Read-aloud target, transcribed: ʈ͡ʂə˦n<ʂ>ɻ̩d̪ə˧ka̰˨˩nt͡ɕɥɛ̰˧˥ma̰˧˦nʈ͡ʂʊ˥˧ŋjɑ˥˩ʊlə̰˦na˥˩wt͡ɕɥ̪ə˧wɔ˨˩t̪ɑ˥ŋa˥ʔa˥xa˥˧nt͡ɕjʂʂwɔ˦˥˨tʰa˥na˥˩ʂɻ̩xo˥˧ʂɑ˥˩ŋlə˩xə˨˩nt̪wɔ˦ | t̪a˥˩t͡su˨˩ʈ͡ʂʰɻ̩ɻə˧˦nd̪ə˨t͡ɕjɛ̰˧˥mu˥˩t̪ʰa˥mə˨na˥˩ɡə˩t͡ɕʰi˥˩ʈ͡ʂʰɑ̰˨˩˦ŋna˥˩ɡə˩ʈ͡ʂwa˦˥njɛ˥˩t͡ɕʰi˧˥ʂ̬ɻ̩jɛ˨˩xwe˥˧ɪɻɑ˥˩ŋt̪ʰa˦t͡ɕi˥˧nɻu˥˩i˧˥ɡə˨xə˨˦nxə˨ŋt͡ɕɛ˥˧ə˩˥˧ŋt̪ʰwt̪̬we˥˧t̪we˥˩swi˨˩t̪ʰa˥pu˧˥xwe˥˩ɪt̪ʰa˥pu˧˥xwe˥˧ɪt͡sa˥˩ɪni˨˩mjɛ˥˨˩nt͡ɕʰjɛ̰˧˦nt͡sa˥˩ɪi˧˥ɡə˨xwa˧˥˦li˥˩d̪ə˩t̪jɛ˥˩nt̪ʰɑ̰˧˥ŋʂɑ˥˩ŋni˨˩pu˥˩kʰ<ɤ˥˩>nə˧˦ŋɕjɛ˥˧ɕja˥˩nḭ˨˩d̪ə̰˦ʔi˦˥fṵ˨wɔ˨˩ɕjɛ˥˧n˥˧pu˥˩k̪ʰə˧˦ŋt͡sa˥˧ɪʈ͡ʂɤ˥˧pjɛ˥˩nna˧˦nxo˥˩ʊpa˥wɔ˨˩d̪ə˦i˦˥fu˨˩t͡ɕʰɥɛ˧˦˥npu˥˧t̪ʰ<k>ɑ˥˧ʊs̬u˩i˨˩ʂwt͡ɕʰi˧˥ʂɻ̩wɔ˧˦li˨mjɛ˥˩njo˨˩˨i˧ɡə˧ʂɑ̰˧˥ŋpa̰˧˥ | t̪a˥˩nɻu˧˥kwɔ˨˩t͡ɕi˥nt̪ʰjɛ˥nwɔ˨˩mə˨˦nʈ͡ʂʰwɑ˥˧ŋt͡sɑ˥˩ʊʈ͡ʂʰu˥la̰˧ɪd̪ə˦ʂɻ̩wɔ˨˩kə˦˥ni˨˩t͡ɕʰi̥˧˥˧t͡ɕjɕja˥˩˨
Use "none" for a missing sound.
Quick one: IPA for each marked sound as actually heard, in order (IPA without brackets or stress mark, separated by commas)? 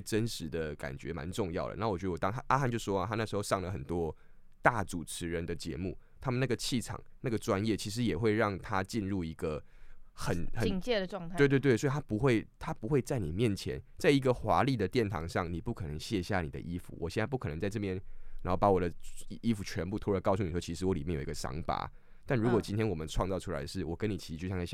ʂ, ɤ˨˩, k